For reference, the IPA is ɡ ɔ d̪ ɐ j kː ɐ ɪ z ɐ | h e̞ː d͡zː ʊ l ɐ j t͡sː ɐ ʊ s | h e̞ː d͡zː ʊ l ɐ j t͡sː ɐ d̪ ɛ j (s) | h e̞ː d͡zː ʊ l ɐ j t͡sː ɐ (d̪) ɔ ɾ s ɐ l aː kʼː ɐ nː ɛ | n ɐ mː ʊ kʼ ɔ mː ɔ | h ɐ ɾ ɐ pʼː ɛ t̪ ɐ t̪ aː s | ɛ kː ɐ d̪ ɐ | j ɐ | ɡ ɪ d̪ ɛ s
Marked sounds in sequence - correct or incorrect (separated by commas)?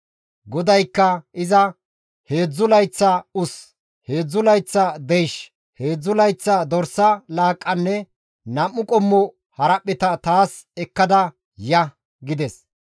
incorrect, correct